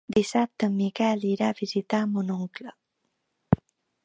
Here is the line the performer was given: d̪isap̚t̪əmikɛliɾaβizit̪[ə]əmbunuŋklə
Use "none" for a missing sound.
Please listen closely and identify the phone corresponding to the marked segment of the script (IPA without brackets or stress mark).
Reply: a